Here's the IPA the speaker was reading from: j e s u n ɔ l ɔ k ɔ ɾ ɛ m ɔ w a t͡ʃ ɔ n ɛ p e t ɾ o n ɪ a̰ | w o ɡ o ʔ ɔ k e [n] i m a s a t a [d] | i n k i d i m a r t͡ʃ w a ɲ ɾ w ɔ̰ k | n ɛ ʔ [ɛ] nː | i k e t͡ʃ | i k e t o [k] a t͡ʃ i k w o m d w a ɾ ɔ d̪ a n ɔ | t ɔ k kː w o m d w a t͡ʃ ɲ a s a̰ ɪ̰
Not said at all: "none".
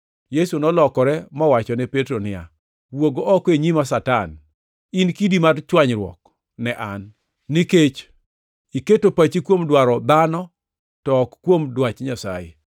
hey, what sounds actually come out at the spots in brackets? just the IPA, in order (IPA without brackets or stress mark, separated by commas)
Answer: ɲ, n, a, p